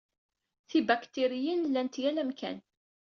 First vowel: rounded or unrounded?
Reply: unrounded